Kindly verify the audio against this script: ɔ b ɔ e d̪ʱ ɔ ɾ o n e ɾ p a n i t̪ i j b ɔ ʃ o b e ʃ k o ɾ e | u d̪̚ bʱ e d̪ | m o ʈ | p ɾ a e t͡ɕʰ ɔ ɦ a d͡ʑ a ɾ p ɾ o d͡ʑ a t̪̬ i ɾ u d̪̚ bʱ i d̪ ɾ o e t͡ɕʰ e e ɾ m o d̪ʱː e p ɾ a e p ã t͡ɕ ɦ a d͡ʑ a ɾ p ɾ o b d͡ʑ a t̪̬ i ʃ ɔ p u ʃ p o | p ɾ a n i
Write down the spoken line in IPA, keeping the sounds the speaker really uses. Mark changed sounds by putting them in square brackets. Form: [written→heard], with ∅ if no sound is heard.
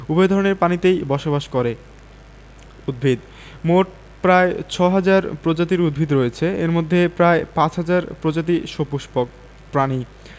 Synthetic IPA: [ɔ→u] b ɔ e d̪ʱ ɔ ɾ o n e ɾ p a n i t̪ [i→e] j b ɔ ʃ o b [e→a] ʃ k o ɾ e | u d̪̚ bʱ [e→i] d̪ | m o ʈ | p ɾ a e t͡ɕʰ ɔ ɦ a d͡ʑ a ɾ p ɾ o d͡ʑ a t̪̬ i ɾ u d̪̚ bʱ i d̪ ɾ o e t͡ɕʰ e e ɾ m o d̪ʱː e p ɾ a e p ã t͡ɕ ɦ a d͡ʑ a ɾ p ɾ o [b→∅] d͡ʑ a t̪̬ i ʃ [ɔ→o] p u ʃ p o | p ɾ a n i